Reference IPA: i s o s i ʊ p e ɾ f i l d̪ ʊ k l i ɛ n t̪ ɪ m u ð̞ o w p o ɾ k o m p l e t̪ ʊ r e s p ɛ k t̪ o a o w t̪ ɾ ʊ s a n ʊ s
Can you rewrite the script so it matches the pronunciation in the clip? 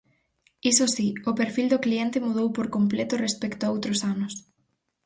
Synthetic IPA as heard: i s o s i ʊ p e ɾ f i l d̪ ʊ k l i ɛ n t̪ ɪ m u ð̞ o w p o ɾ k o m p l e t̪ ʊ r e s p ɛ k t̪ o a o w t̪ ɾ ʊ s a n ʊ s